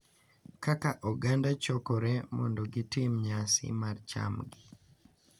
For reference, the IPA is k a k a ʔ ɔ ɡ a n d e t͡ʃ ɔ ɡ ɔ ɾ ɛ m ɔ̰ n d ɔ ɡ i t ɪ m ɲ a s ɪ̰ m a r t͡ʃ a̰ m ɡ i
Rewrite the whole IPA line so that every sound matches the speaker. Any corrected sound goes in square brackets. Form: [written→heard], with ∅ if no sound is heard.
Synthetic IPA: k a k a ʔ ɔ ɡ a n d [e→a] t͡ʃ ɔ [ɡ→k] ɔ ɾ ɛ m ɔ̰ n d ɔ ɡ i t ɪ m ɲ a s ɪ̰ m a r t͡ʃ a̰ m ɡ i